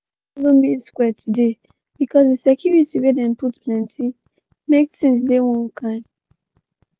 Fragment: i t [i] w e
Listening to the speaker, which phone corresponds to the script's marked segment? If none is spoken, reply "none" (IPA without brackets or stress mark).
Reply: i